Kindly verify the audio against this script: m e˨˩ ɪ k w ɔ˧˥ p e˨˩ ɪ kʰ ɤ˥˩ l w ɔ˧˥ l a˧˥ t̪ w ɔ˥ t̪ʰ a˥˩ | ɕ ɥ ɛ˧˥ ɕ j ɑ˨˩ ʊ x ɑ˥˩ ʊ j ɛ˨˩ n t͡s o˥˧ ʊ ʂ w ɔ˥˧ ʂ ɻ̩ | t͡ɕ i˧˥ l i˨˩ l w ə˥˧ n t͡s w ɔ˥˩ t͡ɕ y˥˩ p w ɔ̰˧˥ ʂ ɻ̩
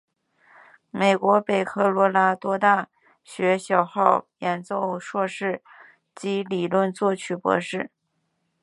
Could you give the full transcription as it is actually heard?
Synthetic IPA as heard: m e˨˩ ɪ k w ɔ˧˥ p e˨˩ ɪ kʰ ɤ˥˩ l w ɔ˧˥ l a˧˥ t̪ w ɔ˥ t̪ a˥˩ | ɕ ɥ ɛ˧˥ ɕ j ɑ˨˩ ʊ x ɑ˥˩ ʊ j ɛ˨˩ n t͡s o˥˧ ʊ ʂ w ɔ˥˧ ʂ ɻ̩ | t͡ɕ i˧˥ l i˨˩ l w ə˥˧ n t͡s w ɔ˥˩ t͡ɕʰ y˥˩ p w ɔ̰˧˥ ʂ ɻ̩